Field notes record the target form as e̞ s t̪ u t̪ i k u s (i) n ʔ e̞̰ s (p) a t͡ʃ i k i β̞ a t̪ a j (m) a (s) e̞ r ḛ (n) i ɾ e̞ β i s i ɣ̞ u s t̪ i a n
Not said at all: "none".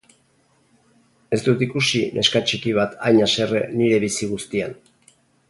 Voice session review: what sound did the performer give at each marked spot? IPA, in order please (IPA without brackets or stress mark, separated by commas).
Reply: i, k, ɲ, s, n